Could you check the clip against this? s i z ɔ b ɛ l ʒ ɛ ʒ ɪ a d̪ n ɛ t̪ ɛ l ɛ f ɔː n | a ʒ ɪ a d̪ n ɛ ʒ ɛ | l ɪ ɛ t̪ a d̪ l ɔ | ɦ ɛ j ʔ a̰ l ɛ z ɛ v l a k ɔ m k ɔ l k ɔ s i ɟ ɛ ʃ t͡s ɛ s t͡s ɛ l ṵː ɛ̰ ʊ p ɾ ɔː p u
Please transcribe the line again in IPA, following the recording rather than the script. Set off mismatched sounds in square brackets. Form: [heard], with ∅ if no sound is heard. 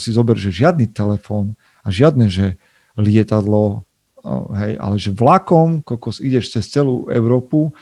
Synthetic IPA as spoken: s i z ɔ b ɛ [ɾ] ʒ ɛ ʒ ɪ a d̪ n [i] t̪ ɛ l ɛ f ɔː n | a ʒ ɪ a d̪ n ɛ ʒ ɛ | l ɪ ɛ t̪ a d̪ l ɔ | ɦ ɛ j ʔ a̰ l ɛ [ʒ] ɛ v l a k ɔ m k ɔ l k ɔ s i ɟ ɛ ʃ t͡s ɛ s t͡s ɛ l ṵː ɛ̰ ʊ [∅] ɾ ɔː p u